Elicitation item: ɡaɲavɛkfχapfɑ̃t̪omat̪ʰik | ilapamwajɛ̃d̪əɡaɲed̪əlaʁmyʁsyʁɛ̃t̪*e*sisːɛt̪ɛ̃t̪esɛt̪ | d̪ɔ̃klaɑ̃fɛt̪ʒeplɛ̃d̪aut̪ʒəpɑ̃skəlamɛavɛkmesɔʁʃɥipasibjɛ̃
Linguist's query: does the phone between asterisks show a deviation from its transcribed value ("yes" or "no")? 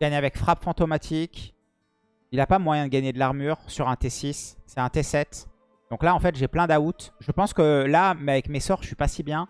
no